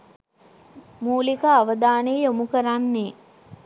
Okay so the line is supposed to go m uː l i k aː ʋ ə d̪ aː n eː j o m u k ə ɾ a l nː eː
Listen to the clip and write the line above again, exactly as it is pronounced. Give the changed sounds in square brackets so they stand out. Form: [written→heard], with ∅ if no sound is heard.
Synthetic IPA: m uː l i k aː ʋ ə d̪ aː n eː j o m u k ə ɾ a [l→∅] nː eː